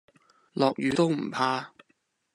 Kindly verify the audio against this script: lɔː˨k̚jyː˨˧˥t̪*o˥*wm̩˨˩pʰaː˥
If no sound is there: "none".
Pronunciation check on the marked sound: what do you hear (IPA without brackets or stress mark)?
o˥